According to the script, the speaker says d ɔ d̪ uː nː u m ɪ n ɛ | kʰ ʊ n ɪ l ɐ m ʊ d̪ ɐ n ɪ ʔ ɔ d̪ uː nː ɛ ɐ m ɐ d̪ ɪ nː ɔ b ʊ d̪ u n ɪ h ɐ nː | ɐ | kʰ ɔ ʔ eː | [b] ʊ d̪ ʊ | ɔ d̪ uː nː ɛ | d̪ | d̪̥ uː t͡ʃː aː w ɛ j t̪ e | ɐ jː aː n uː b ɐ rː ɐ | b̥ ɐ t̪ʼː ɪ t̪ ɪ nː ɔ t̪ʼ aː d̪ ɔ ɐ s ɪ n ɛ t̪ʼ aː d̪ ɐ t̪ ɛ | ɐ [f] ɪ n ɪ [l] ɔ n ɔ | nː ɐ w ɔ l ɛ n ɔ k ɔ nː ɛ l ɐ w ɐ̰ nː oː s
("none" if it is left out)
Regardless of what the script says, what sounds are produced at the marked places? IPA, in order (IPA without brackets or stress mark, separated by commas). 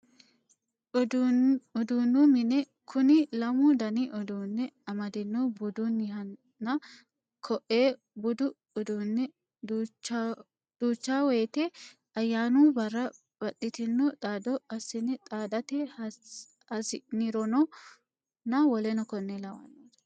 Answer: b, s, ɾ